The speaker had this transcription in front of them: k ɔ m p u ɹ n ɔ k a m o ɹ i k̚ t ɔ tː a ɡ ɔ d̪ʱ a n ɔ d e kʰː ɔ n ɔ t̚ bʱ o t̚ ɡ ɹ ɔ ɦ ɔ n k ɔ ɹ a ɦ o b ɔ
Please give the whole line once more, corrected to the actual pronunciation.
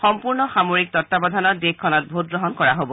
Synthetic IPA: x ɔ m p u ɹ n ɔ x a m o ɹ i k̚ t ɔ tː a b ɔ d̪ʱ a n ɔ d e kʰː ɔ n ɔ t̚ bʱ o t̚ ɡ ɹ ɔ ɦ ɔ n k ɔ ɹ a ɦ o b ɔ